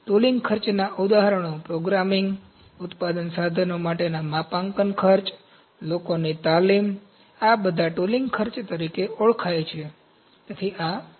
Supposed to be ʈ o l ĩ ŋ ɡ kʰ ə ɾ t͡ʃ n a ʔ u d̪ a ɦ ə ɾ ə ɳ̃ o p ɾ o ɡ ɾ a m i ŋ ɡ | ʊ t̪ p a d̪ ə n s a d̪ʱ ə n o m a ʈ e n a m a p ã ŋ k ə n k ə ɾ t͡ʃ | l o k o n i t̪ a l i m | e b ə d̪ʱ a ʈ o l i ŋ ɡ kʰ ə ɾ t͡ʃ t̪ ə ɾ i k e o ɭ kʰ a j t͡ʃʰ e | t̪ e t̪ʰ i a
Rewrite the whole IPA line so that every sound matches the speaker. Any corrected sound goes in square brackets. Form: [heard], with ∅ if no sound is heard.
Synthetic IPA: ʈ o l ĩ ŋ ɡ kʰ ə ɾ t͡ʃ n a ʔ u d̪ a ɦ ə ɾ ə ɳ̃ o p ɾ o ɡ ɾ a m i ŋ ɡ | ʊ t̪ p a d̪ ə n s a d̪ʱ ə n o m a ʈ e n a m a p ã ŋ k ə n [kʰ] ə ɾ t͡ʃ | l o k o n i t̪ a l i m | [a] b ə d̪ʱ a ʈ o l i ŋ ɡ kʰ ə ɾ t͡ʃ t̪ ə ɾ i k e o ɭ kʰ a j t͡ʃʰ e | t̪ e t̪ʰ i a